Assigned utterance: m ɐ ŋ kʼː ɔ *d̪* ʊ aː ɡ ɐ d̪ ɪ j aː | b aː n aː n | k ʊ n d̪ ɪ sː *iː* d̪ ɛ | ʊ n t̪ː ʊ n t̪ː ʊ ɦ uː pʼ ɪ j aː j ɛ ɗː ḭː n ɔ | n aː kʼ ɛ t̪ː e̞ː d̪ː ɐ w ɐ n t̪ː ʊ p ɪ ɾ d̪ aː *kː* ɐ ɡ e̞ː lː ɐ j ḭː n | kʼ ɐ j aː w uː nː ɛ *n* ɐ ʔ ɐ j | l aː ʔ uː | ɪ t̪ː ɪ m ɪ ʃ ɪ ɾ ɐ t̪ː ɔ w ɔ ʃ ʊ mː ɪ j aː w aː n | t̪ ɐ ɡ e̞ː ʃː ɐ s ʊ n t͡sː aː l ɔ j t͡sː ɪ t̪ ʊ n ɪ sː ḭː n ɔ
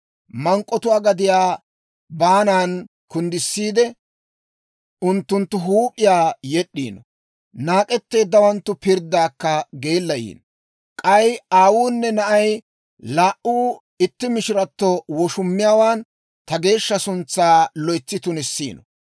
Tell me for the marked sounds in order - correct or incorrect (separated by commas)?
incorrect, correct, correct, correct